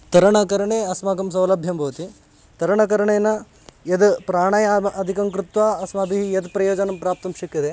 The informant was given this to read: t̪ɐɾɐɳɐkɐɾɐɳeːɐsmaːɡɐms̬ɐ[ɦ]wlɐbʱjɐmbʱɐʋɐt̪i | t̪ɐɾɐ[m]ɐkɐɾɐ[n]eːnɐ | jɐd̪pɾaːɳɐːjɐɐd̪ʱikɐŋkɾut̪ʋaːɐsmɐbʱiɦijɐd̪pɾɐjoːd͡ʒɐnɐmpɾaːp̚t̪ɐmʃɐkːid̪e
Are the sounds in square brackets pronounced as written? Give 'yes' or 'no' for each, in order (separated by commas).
no, no, no